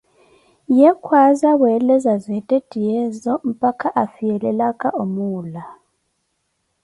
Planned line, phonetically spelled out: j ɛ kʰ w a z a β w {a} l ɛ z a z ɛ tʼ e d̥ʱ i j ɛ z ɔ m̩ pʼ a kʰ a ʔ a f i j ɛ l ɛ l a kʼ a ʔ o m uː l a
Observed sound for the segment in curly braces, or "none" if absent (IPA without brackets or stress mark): ɛ